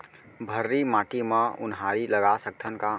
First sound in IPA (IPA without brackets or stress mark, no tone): bʱ